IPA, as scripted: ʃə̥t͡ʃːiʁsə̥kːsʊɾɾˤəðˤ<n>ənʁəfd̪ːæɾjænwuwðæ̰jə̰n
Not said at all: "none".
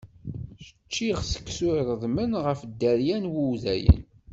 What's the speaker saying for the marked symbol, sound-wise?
m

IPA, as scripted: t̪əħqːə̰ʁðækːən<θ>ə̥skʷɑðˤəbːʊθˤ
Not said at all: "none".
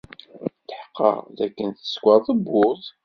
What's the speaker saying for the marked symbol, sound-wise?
θ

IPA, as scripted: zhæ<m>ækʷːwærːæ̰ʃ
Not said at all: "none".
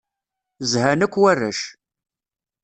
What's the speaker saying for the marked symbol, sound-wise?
n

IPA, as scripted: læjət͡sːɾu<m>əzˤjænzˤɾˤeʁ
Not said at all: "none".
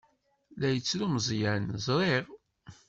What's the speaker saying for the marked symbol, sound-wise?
m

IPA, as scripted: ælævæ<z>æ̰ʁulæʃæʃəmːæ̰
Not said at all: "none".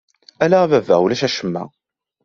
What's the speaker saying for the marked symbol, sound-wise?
v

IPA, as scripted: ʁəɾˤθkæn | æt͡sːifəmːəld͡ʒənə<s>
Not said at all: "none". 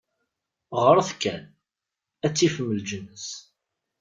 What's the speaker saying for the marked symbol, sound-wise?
s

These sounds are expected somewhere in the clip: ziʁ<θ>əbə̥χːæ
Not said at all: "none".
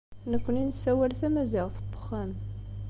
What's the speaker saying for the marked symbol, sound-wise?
θ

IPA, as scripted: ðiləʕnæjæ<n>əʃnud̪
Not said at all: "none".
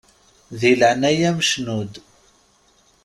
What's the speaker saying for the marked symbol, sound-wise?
m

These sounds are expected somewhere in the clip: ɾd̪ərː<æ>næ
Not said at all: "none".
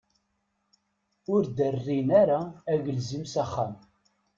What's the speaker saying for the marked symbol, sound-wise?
i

